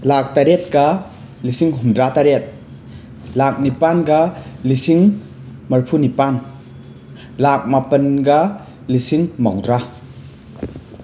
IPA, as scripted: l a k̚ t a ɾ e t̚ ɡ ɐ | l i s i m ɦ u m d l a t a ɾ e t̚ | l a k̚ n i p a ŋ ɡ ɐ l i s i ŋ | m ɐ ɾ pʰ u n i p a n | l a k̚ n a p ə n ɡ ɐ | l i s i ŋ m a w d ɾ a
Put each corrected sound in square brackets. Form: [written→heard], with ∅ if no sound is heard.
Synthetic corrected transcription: l a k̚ t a ɾ e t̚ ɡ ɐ | l i s i [m→ŋ] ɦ u m d [l→ɾ] a t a ɾ e t̚ | l a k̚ n i p a [ŋ→n] ɡ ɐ l i s i ŋ | m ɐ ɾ pʰ u n i p a n | l a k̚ [n→m] a p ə n ɡ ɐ | l i s i ŋ m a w d ɾ a